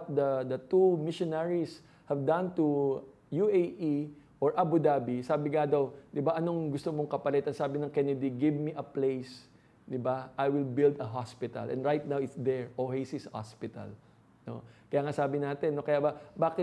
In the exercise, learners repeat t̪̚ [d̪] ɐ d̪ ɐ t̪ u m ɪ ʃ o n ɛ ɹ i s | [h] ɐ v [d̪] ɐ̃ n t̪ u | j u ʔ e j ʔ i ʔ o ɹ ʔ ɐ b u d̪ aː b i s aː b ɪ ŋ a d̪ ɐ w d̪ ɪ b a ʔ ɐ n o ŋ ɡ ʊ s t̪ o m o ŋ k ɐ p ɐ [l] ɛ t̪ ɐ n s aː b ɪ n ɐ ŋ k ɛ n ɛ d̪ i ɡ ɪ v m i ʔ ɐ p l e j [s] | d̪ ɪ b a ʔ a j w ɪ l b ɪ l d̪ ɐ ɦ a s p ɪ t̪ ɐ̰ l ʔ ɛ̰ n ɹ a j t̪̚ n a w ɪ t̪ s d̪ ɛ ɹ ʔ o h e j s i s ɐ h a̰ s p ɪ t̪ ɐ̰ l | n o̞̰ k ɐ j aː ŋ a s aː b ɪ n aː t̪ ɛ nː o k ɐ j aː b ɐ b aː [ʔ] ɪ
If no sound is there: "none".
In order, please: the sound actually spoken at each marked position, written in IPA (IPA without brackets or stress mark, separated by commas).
d̪, h, d̪, l, s, k